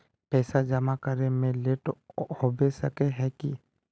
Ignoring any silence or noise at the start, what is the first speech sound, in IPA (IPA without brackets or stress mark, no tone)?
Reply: p